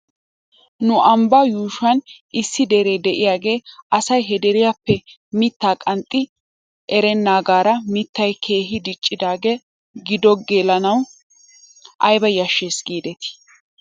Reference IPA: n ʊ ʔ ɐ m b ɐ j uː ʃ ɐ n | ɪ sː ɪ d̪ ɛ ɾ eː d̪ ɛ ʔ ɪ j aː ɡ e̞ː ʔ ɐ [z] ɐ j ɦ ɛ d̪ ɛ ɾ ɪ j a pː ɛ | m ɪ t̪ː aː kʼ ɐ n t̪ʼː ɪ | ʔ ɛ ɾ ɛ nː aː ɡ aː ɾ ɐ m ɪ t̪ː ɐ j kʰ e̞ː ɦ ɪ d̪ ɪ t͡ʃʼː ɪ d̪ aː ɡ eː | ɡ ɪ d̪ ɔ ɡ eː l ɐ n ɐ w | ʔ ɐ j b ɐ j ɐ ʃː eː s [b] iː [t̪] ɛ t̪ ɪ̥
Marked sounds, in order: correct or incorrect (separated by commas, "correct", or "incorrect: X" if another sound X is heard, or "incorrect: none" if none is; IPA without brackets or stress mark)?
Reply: incorrect: s, incorrect: ɡ, incorrect: d̪